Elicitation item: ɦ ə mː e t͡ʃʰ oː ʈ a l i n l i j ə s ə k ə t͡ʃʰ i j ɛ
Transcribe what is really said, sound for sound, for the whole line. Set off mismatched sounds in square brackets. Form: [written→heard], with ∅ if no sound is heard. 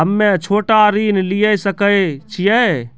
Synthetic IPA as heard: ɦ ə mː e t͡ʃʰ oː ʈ a [l→ɾ] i n l i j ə s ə k ə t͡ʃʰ i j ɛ